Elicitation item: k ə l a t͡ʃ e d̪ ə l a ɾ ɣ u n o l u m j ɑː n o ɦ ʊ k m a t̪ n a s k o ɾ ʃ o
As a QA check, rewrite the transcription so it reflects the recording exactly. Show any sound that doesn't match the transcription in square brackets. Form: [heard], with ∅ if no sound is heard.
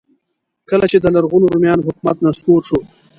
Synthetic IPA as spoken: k ə l a t͡ʃ e d̪ ə l a ɾ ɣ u n o [ɾ] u m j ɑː n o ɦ ʊ k m a t̪ n a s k o ɾ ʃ o